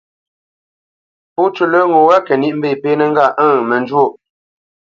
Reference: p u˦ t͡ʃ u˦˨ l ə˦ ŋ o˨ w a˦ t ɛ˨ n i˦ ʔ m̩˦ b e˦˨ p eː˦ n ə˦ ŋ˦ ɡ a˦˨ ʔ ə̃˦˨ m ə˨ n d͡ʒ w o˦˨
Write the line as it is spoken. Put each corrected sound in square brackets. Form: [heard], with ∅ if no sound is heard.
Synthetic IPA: p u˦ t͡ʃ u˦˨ l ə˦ ŋ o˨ w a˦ [k] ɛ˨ n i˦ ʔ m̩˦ b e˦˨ p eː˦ n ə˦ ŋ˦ ɡ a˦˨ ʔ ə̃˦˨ m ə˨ n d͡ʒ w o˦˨